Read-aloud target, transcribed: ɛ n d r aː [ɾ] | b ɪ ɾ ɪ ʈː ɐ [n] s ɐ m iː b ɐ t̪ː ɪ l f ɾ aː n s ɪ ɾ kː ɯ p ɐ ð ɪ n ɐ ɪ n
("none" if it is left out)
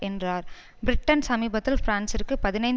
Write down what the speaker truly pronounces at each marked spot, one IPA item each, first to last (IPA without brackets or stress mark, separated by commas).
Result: ɾ, n